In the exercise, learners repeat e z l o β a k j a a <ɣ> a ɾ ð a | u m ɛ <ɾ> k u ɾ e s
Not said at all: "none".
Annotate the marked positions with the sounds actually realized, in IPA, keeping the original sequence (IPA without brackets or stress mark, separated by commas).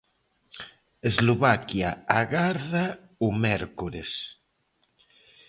ɣ, ɾ